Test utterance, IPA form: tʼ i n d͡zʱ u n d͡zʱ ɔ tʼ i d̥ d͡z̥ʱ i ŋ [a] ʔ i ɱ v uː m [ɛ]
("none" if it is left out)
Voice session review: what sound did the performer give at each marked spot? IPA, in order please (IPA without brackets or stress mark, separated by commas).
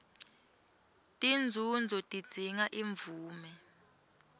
a, ɛ